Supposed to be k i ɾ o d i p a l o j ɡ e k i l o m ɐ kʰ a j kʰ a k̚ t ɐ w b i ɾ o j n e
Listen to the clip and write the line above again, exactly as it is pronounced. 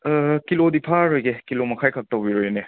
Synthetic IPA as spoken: k i l o d i pʰ a ɾ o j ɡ e k i l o m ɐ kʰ a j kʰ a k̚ t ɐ w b i ɾ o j n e